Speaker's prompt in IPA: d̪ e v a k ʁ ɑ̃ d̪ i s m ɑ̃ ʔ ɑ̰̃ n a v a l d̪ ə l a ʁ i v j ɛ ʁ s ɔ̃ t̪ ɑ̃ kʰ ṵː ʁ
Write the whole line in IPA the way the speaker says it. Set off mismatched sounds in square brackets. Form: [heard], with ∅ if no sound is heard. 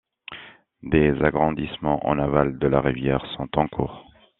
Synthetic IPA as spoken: d̪ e [z] a [ɡ] ʁ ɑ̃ d̪ i s m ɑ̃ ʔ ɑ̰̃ n a v a l d̪ ə l a ʁ i v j ɛ ʁ s ɔ̃ t̪ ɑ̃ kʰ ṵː ʁ